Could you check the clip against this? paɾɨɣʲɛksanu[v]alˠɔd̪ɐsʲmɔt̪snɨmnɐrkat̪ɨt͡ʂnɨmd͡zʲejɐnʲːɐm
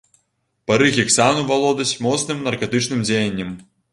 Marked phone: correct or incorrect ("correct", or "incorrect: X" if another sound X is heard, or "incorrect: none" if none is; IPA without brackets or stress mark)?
correct